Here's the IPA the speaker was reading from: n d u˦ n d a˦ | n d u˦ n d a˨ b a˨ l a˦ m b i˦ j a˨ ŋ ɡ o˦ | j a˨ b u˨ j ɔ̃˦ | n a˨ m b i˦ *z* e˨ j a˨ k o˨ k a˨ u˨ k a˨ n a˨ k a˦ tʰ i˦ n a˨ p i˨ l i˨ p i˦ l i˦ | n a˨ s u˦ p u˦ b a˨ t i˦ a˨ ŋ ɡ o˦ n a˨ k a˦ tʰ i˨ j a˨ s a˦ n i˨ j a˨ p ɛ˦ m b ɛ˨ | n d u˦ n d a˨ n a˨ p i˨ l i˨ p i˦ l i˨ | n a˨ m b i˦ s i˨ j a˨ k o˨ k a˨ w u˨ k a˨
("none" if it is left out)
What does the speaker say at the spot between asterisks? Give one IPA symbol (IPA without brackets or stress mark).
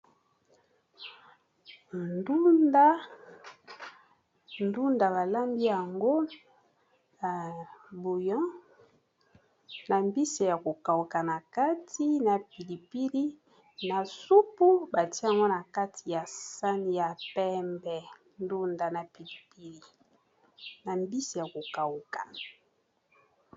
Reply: s